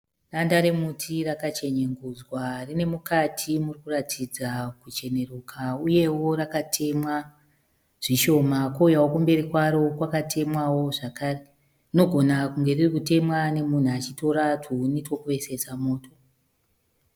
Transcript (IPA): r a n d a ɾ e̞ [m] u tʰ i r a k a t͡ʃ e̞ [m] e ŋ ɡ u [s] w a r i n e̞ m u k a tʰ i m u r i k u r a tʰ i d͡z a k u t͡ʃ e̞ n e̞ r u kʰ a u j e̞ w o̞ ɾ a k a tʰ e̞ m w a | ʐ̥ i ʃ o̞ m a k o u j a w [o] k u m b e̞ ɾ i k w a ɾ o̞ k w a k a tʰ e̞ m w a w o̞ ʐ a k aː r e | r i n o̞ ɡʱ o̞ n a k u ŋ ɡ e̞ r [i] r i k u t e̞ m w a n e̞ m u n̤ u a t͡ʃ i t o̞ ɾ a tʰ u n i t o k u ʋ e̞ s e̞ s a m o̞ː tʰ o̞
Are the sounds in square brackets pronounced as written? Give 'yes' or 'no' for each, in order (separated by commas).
yes, no, no, yes, yes